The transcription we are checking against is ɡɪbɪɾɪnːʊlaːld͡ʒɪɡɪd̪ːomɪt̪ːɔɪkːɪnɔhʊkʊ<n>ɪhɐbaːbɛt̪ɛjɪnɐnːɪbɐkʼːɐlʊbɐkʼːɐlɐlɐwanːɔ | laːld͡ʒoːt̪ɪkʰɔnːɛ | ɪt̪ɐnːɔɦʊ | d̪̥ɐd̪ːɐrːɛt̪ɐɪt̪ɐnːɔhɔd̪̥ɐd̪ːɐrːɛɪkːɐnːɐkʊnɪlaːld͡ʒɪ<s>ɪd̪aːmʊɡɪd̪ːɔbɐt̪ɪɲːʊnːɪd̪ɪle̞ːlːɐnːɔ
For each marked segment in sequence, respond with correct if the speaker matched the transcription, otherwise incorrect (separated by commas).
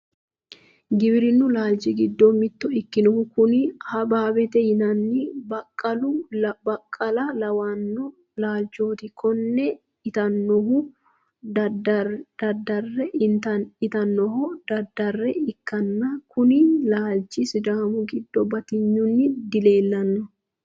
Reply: correct, correct